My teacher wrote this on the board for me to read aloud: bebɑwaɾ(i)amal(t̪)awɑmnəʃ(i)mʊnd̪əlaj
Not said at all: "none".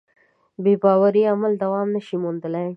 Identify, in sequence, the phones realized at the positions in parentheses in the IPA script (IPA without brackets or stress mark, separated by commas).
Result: i, d̪, i